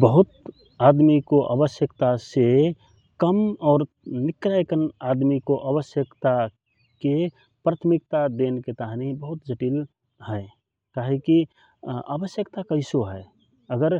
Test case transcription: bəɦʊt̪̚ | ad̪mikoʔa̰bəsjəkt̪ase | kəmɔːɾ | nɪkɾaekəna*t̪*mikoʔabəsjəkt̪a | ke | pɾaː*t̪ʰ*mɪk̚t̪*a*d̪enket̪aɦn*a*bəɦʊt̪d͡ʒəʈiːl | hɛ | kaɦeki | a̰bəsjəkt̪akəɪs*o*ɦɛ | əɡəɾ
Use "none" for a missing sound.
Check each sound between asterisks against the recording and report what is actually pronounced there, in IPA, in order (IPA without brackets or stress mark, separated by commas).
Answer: d̪, t̪ʰ, a, i, o